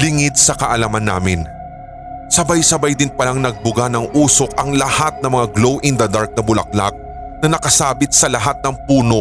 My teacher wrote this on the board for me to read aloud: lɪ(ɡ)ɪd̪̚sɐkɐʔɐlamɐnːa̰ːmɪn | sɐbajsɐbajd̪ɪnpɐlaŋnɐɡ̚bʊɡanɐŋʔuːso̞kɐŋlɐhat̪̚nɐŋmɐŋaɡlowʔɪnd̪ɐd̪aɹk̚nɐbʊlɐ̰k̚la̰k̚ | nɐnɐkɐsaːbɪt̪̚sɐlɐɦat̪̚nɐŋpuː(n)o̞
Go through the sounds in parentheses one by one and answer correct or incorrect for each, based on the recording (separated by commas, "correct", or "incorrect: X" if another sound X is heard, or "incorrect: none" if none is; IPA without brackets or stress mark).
incorrect: ŋ, correct